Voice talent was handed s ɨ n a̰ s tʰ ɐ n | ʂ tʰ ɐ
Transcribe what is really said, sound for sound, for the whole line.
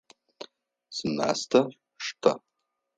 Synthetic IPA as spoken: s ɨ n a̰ s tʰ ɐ | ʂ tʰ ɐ